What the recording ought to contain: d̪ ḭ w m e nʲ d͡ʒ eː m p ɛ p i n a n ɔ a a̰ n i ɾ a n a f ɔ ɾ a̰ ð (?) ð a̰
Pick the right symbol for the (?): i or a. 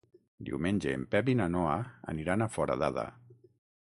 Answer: a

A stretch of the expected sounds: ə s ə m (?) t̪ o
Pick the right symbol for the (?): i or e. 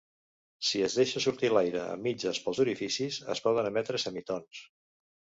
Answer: i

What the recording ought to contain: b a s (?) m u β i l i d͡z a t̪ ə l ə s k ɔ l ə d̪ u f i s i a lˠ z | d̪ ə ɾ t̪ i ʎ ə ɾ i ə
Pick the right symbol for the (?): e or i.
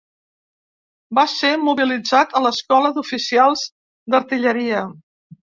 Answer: e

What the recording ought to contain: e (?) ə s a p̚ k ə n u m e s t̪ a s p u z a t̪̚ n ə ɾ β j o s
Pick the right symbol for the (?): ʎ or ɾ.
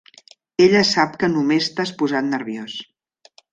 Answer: ʎ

